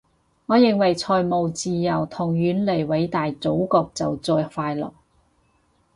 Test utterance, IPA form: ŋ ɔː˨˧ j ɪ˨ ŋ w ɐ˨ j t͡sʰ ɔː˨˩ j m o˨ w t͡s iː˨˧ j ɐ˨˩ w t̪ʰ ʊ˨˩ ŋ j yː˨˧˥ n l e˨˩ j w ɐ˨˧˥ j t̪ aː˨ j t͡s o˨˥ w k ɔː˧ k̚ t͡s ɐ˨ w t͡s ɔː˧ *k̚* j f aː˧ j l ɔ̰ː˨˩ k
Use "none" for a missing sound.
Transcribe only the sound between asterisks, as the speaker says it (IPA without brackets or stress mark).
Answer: none